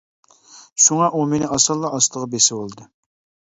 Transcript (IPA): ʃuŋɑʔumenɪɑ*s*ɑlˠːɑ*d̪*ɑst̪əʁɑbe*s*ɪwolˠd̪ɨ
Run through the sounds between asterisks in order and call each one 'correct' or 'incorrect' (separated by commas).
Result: correct, incorrect, correct